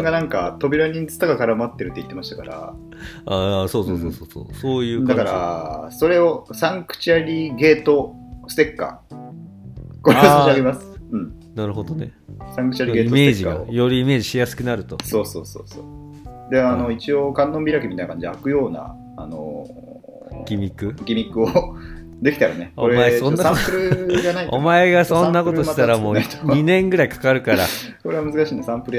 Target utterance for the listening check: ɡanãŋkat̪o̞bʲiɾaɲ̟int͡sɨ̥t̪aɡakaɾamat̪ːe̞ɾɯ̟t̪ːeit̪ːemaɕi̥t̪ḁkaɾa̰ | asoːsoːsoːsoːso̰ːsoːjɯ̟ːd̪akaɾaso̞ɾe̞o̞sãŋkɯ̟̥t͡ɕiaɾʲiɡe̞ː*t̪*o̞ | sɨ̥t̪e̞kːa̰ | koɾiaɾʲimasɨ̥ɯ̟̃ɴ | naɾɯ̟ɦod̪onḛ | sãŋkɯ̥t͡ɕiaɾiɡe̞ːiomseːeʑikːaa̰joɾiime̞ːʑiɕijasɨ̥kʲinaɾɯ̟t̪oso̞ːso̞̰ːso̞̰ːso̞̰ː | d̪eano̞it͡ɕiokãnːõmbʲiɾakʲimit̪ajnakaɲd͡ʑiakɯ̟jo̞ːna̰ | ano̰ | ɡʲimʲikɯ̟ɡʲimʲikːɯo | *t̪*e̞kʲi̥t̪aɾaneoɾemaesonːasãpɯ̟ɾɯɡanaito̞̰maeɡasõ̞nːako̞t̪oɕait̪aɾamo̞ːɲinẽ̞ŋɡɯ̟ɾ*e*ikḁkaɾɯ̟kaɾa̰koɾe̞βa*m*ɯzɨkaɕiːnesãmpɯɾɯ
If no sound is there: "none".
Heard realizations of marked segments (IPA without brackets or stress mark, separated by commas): t̪, d̪, a, m